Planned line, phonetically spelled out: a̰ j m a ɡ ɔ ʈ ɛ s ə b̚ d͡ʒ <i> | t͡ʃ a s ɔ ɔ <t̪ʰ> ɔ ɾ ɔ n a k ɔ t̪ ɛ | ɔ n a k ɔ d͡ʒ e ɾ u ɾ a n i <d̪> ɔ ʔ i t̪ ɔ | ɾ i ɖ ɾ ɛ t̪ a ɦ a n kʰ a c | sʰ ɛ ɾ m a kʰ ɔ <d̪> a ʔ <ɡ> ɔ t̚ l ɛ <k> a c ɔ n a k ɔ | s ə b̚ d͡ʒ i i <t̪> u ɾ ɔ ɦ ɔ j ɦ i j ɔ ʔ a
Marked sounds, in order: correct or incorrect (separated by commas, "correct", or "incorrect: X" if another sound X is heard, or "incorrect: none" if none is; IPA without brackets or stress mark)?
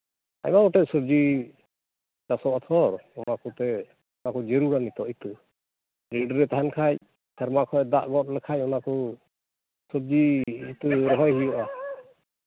correct, correct, incorrect: t̪, correct, correct, incorrect: kʰ, correct